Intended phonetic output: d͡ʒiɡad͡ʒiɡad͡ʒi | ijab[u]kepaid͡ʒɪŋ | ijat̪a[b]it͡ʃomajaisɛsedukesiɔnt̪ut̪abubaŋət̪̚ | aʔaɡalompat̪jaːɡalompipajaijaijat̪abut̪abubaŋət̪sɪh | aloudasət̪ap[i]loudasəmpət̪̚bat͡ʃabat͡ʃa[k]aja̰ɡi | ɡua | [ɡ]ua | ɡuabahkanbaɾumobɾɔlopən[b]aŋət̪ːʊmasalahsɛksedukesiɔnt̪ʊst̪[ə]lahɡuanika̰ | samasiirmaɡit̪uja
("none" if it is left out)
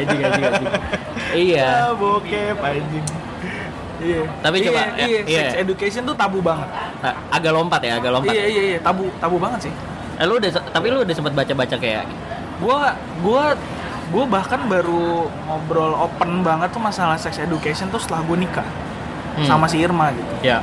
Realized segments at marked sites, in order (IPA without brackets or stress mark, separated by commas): o, p, i, k, ɡ, b, ə